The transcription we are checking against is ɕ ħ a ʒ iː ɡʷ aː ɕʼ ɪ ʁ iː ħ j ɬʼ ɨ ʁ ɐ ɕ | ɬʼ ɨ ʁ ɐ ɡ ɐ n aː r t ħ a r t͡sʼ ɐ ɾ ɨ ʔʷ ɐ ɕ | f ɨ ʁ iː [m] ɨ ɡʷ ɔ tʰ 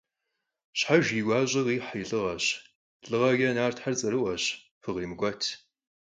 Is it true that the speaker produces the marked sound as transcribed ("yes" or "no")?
yes